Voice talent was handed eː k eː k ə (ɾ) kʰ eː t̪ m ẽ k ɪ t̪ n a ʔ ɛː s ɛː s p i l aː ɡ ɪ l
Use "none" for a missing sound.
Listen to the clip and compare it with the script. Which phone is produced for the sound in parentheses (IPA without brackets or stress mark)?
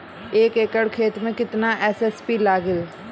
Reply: ɽ